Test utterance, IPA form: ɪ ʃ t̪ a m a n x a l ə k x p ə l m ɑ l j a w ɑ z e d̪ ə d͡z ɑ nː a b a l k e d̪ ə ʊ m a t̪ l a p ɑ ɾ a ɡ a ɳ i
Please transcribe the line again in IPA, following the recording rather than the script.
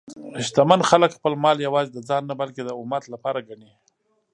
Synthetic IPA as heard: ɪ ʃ t̪ a m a n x a l ə k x p ə l m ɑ l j a w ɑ z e d̪ ə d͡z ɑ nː a b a l k e d̪ ə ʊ m a t̪ l a p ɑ ɾ a ɡ a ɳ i